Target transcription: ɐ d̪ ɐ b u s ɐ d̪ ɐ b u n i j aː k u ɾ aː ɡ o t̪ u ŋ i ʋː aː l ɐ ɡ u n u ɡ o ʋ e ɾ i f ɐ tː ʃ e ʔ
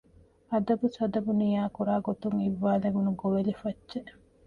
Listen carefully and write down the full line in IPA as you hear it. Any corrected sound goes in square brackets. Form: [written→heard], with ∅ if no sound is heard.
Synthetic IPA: ɐ d̪ ɐ b u s ɐ d̪ ɐ b u n i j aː k u ɾ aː ɡ o t̪ u ŋ i ʋː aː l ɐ ɡ u n u ɡ o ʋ e [ɾ→l] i f ɐ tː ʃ e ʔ